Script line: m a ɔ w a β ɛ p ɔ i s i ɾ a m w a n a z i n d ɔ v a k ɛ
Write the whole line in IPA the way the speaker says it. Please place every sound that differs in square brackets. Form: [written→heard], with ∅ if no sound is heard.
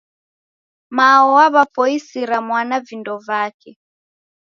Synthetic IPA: m a ɔ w a β [ɛ→a] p ɔ i s i ɾ a m w a n a [z→v] i n d ɔ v a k ɛ